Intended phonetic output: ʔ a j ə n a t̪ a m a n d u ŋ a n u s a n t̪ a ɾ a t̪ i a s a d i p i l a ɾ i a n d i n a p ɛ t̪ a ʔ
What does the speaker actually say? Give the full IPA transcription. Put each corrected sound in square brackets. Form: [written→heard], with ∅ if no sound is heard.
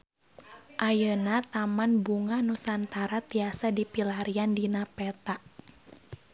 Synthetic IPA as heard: ʔ a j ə n a t̪ a m a n [d→b] u ŋ a n u s a n t̪ a ɾ a t̪ i a s a d i p i l a ɾ i a n d i n a p ɛ t̪ a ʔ